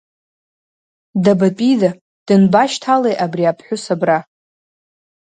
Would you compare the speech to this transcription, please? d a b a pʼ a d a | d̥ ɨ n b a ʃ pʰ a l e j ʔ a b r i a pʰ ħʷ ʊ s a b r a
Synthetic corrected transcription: d a b a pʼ i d a | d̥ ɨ n b a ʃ tʰ a l e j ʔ a b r i a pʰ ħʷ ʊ s a b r a